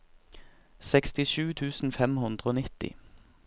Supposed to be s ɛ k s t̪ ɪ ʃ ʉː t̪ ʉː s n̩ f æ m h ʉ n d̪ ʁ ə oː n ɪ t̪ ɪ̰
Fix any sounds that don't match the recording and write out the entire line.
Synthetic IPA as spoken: s ɛ k s t̪ ɪ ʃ ʉː t̪ʰ ʉː s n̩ f ɛ m h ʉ n d̪ ʁ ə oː n ɪ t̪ ɪ̰

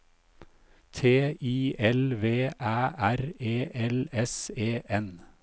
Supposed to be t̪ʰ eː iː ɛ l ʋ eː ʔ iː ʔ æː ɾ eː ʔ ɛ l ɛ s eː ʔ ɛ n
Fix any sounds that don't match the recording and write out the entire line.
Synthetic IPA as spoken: t̪ʰ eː iː ɛ l ʋ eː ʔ æː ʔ æ ɾ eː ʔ ɛ l ɛ s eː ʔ ɛ n

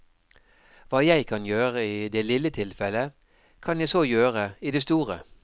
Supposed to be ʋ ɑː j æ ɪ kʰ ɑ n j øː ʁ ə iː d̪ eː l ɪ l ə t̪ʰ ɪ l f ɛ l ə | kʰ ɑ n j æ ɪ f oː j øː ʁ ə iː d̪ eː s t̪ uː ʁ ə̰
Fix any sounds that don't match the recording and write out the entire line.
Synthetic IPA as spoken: ʋ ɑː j æ ɪ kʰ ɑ n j øː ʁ ə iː d̪ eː l ɪ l ə t̪ʰ ɪ l f ɛ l ə | kʰ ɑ n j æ ɪ s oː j øː ʁ ə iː d̪ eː s t̪ uː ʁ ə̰

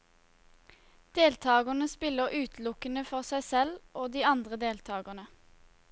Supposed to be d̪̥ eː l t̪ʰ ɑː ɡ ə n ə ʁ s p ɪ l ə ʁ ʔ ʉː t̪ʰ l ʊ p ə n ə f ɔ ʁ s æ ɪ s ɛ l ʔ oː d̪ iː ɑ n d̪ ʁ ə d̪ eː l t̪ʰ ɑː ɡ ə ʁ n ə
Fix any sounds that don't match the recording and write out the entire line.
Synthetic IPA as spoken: d̪̥ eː l t̪ʰ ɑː ɡ ə n ə s p ɪ l ə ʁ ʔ ʉː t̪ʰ l ʊ k ə n ə f ɔ ʁ s æ ɪ s ɛ l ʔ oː d̪ iː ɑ n d̪ ʁ ə d̪ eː l t̪ʰ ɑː ɡ ə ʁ n ə

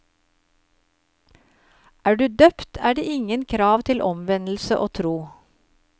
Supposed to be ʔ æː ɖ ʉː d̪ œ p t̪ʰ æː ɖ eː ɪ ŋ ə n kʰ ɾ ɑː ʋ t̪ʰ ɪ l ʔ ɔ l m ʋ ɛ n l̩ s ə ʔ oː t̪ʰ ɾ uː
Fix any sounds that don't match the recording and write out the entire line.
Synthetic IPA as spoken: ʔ æː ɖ ʉː d̪ œ p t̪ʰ æː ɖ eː ɪ ŋ ə n kʰ ɾ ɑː ʋ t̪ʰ ɪ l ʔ ɔ m ʋ ɛ n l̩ s ə ʔ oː t̪ʰ ɾ uː

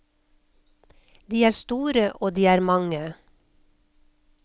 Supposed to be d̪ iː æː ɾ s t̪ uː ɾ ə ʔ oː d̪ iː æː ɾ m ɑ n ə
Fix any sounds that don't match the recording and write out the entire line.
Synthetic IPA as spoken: d̪ iː æː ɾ s t̪ uː ɾ ə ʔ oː d̪ iː æː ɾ m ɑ ŋ ə

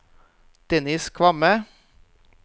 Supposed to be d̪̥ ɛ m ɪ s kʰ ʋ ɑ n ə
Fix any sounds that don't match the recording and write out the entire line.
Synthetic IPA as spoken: d̪̥ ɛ n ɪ s kʰ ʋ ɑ m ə

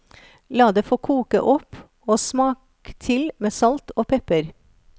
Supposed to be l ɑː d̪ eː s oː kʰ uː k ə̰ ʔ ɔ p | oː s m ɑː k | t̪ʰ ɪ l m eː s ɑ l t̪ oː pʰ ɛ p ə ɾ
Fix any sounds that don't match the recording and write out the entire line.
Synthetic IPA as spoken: l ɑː d̪ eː f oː kʰ uː k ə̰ ʔ ɔ p | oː s m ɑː k | t̪ʰ ɪ l m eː s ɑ l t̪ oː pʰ ɛ p ə ɾ

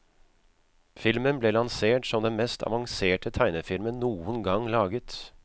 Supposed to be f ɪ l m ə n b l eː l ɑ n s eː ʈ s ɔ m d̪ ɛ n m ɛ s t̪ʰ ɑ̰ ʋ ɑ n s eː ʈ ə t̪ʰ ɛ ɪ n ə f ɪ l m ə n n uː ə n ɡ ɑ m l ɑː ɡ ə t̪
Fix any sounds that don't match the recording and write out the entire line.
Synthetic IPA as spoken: f ɪ l m ə n b l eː l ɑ n s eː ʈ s ɔ m d̪ ɛ n m ɛ s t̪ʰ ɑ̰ ʋ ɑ ŋ s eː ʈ ə t̪ʰ æ ɪ n ə f ɪ l m ə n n uː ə n ɡ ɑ ŋ l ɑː ɡ ə t̪

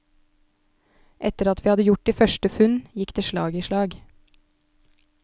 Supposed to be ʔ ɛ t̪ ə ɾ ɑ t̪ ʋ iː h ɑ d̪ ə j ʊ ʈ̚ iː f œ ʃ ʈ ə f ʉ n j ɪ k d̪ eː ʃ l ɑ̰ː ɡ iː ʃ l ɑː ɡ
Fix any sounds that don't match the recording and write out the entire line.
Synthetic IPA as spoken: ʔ ɛ t̪ ə ɾ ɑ t̪ ʋ iː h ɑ d̪ ə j ʊ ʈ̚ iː f œ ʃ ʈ ə f ʉ n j ɪ k d̪ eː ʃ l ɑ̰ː ɡ iː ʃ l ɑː ɡ

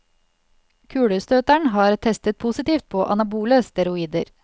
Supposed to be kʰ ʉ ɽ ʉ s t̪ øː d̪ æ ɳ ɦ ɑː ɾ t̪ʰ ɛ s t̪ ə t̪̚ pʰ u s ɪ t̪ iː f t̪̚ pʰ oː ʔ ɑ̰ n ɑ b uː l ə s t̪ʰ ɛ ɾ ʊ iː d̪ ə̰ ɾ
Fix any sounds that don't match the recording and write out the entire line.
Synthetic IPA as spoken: kʰ ʉː ɽ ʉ s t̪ øː t̪ æ ɳ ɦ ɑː ɾ t̪ʰ ɛ s t̪ ə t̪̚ pʰ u s ɪ t̪ iː f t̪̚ pʰ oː ʔ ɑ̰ n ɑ b uː l ə s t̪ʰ ɛ ɾ ʊ iː d̪ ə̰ ɾ

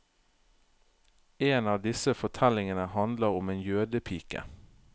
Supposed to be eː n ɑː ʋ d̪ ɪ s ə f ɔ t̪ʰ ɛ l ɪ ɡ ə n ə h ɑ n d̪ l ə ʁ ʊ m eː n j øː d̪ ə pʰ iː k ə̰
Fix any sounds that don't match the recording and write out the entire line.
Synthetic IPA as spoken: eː n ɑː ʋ d̪ ɪ s ə f ɔ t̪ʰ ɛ l ɪ ŋ ə n ə h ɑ n d̪ l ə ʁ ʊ m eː n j øː d̪ ə pʰ iː k ə̰

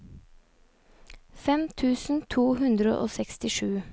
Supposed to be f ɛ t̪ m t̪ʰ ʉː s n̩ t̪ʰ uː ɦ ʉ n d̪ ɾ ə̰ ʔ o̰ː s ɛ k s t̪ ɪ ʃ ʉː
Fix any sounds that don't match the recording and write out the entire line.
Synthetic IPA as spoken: f ɛ m t̪ʰ ʉː s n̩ t̪ʰ uː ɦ ʉ n d̪ ɾ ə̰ ʔ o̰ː s ɛ k s t̪ ɪ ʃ ʉː

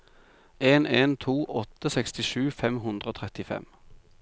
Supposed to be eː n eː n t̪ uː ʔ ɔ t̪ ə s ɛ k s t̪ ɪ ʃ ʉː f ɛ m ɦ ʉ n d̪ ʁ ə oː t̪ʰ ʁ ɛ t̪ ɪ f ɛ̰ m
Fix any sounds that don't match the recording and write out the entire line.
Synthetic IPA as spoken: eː n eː n t̪ʰ uː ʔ ɔ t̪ ə s ɛ k s t̪ ɪ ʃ ʉː f ɛ m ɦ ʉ n d̪ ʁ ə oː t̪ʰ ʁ ɛ t̪ ɪ f ɛ̰ m

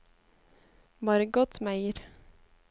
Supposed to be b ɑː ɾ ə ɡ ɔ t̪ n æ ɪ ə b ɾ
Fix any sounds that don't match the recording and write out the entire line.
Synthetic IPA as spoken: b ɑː ɾ ə ɡ ɔ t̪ m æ ɪ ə ɾ

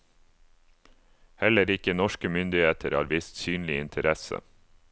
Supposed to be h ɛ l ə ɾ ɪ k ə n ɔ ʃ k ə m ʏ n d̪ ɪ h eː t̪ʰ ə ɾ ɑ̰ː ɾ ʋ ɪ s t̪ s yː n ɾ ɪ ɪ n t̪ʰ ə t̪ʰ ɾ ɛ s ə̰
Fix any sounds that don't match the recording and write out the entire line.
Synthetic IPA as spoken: h ɛ l ə ɾ ɪ k ə n ɔ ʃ k ə m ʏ n d̪ ɪ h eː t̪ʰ ə ɾ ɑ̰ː ɾ ʋ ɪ s t̪ s yː n l ɪ ɪ n t̪ʰ ə ɾ ɛ s ə̰

